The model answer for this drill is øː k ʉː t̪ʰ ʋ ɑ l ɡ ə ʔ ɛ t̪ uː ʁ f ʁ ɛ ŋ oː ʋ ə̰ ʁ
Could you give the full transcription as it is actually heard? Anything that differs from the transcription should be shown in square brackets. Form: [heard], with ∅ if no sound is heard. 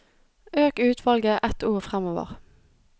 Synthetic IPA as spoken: øː k ʉː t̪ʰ ʋ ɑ l ɡ ə ʔ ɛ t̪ uː ʁ f ʁ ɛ [m] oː ʋ ə̰ ʁ